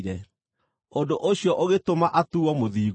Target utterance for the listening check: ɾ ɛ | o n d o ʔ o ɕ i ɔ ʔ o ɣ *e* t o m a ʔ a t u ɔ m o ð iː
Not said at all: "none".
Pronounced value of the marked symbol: e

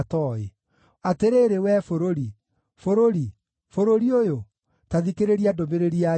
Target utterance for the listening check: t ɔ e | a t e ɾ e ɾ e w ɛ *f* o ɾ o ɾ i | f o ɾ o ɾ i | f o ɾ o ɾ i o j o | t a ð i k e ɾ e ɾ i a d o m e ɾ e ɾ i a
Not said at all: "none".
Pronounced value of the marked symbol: f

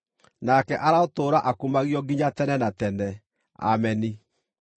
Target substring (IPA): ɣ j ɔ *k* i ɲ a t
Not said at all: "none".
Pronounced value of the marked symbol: ɡ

